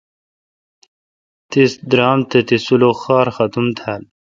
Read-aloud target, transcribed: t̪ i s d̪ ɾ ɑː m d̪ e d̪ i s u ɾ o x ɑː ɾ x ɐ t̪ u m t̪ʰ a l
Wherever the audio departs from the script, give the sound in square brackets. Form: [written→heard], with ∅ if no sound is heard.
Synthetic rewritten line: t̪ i s d̪ ɾ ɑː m [d̪→t̪] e [d̪→t̪] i s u [ɾ→l] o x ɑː ɾ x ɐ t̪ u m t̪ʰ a l